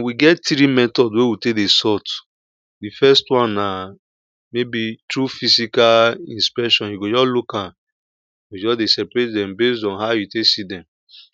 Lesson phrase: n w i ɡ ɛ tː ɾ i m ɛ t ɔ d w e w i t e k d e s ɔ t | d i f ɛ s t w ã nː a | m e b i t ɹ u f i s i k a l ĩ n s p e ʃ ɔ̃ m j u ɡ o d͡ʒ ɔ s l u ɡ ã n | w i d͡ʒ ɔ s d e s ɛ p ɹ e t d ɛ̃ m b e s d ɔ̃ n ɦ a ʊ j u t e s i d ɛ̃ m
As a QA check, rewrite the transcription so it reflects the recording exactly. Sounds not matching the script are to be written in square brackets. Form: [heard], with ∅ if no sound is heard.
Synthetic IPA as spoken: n w i ɡ ɛ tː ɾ i m ɛ t ɔ d w e w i t e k d e s ɔ t | d i f ɛ s t w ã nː a | m e b i t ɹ u f i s i k a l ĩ n s p [ɛ] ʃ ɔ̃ [n] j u ɡ o d͡ʒ ɔ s l u [k] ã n | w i d͡ʒ ɔ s d e s ɛ p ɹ e t d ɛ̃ m b e s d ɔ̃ n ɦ a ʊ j u t e s i d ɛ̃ m